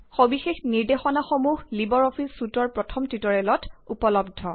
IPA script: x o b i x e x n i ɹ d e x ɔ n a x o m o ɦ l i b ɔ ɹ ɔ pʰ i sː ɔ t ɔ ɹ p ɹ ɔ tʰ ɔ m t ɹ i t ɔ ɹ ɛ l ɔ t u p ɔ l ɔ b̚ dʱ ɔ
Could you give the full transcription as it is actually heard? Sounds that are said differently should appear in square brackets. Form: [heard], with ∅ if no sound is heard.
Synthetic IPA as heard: x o b i x e x n i ɹ d e x ɔ n a x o m [u] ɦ l i b ɔ ɹ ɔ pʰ i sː [u] t ɔ ɹ p ɹ ɔ tʰ ɔ m t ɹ i t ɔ ɹ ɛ l ɔ t u p ɔ l ɔ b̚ dʱ ɔ